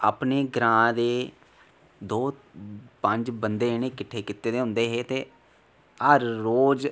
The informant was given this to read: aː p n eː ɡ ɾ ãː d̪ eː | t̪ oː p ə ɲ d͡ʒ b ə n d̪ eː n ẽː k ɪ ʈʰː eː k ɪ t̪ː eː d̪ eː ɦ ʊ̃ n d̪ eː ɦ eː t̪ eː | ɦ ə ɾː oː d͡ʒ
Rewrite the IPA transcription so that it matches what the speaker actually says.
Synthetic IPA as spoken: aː p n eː ɡ ɾ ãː d̪ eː | d̪ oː p ə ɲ d͡ʒ b ə n d̪ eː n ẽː k ɪ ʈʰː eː k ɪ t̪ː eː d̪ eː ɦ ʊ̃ n d̪ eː ɦ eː t̪ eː | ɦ ə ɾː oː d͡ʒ

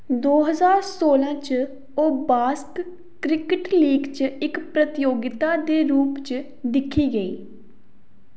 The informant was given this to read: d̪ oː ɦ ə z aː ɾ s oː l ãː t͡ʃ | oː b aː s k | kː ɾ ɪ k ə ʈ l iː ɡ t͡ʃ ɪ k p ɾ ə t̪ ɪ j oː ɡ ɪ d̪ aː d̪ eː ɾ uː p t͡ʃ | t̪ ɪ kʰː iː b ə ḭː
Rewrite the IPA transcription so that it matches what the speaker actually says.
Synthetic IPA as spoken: d̪ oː ɦ ə z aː ɾ s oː l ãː t͡ʃ | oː b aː s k | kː ɾ ɪ k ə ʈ l iː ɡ t͡ʃ ɪ k p ɾ ə t̪ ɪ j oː ɡ ɪ t̪ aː d̪ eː ɾ uː p t͡ʃ | d̪ ɪ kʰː iː ɡ ə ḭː

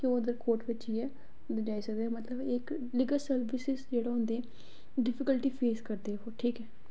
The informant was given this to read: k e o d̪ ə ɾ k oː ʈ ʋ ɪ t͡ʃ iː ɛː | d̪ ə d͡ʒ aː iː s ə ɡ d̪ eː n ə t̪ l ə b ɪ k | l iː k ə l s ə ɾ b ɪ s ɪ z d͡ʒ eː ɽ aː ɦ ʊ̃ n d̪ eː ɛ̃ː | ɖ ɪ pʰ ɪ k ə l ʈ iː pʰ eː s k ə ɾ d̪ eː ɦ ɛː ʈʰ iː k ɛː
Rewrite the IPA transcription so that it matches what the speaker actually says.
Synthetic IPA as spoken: k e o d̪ ə ɾ k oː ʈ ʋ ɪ t͡ʃ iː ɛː | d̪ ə d͡ʒ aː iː s ə ɡ d̪ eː m ə t̪ l ə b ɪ k | l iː ɡ ə l s ə ɾ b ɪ s ɪ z d͡ʒ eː ɽ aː ɦ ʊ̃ n d̪ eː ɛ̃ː | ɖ ɪ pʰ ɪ k ə l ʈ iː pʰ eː s k ə ɾ d̪ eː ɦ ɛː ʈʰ iː k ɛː

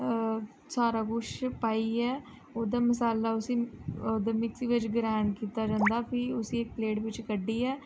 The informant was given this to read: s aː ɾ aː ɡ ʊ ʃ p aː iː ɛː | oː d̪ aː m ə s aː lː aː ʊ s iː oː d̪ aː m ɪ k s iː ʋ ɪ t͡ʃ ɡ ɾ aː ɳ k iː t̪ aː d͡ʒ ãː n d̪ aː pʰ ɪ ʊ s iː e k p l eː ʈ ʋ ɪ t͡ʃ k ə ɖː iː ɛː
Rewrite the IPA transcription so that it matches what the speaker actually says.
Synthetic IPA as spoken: s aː ɾ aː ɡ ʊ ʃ p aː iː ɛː | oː d̪ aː m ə s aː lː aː ʊ s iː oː d̪ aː m ɪ k s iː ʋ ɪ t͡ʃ ɡ ɾ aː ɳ k iː t̪ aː d͡ʒ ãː n d̪ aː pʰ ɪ ʊ s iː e k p l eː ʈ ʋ ɪ t͡ʃ k ə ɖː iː ɛː

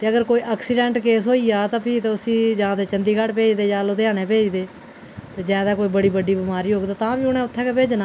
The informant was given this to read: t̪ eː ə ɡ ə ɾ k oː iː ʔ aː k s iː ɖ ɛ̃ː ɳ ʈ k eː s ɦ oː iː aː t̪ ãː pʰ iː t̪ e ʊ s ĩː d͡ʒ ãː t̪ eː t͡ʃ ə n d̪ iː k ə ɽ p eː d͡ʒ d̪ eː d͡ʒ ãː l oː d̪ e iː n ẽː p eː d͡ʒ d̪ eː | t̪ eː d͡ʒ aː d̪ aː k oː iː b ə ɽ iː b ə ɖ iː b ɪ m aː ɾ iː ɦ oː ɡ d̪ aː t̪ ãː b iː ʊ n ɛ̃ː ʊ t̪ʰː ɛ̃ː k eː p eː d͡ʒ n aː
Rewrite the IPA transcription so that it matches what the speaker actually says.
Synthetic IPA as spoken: t̪ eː ə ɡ ə ɾ k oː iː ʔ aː k s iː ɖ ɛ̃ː ɳ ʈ k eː s ɦ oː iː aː t̪ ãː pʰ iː t̪ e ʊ s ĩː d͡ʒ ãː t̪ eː t͡ʃ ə n d̪ iː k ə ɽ p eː d͡ʒ d̪ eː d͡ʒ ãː l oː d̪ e aː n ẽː p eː d͡ʒ d̪ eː | t̪ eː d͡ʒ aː d̪ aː k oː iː b ə ɽ iː b ə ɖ iː b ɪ m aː ɾ iː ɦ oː ɡ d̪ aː t̪ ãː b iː ʊ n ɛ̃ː ʊ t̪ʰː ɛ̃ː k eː p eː d͡ʒ n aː

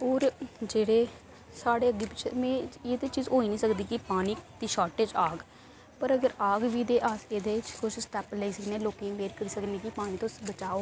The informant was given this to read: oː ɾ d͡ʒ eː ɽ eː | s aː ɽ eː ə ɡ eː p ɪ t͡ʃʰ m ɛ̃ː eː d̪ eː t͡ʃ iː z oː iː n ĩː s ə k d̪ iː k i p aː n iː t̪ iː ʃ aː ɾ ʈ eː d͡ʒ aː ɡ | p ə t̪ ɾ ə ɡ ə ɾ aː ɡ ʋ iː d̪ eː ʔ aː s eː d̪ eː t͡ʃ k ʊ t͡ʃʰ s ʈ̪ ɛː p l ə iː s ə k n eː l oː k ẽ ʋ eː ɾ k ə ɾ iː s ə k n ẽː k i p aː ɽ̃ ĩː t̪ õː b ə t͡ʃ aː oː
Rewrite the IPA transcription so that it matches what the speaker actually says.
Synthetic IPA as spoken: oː ɾ d͡ʒ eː ɽ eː | s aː ɽ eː ə ɡ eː p ɪ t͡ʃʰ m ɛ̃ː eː d̪ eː t͡ʃ iː z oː iː n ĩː s ə k d̪ iː k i p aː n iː t̪ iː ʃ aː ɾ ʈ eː d͡ʒ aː ɡ | p ə ɾ ə ɡ ə ɾ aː ɡ ʋ iː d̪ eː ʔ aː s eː d̪ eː t͡ʃ k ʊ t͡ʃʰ s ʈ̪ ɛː p l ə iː s ə k n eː l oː k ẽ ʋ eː ɾ k ə ɾ iː s ə k n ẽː k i p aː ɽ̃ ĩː t̪ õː b ə t͡ʃ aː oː

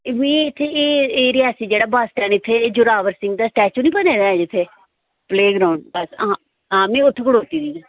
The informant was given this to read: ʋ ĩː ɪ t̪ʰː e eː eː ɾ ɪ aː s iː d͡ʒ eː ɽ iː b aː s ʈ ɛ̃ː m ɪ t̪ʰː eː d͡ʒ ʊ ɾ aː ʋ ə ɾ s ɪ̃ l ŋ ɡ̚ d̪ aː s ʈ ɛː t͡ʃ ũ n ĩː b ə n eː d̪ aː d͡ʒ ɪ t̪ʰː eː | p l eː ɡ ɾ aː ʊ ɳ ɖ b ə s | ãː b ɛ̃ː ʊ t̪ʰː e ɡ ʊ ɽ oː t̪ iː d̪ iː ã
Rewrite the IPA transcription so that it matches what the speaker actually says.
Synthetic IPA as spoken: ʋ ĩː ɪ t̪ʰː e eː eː ɾ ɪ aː s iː d͡ʒ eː ɽ aː b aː s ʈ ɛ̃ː n ɪ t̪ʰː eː d͡ʒ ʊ ɾ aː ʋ ə ɾ s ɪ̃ ŋ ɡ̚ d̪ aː s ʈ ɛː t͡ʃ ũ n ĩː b ə n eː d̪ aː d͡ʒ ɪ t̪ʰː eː | p l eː ɡ ɾ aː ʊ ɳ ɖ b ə s | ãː m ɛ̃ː ʊ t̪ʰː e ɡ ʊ ɽ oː t̪ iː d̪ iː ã

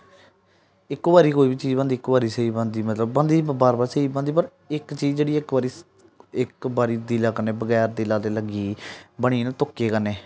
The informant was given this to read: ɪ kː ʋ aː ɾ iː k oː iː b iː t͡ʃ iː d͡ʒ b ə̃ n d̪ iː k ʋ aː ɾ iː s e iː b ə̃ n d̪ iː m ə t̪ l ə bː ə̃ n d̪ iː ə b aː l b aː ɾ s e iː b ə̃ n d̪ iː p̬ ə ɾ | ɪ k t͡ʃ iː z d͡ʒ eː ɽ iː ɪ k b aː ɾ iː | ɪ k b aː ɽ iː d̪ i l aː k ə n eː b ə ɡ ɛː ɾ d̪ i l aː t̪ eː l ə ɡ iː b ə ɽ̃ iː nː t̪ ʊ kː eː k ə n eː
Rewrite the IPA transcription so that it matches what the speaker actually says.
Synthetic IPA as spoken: ɪ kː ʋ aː ɾ iː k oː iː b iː t͡ʃ iː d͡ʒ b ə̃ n d̪ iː k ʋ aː ɾ iː s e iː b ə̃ n d̪ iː m ə t̪ l ə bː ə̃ n d̪ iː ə b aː ɾ b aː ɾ s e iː b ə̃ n d̪ iː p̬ ə ɾ | ɪ k t͡ʃ iː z d͡ʒ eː ɽ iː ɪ k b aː ɾ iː | ɪ k b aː ɾ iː d̪ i l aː k ə n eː b ə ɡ ɛː ɾ d̪ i l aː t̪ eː l ə ɡ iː b ə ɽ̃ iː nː t̪ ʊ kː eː k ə n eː

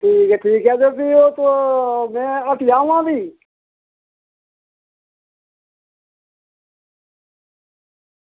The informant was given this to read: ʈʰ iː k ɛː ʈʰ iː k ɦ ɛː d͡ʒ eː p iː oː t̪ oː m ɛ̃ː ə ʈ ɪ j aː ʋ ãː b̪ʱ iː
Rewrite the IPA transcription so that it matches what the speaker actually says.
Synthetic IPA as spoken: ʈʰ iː k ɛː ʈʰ iː k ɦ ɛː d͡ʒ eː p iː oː t̪ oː m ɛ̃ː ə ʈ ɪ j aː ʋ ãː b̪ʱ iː

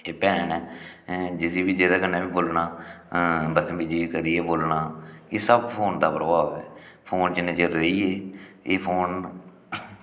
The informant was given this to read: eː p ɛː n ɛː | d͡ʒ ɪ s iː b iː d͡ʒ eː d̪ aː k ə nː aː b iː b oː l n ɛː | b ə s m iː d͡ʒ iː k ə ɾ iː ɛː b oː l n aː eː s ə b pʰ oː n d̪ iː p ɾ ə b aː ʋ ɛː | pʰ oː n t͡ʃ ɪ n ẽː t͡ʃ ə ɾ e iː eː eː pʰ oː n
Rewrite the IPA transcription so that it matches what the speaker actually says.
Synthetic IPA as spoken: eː p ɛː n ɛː | d͡ʒ ɪ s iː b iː d͡ʒ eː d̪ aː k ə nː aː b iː b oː l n aː | b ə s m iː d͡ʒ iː k ə ɾ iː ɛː b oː l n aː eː s ə b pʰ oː n d̪ aː p ɾ ə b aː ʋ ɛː | pʰ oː n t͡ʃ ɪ n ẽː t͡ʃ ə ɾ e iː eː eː pʰ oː n

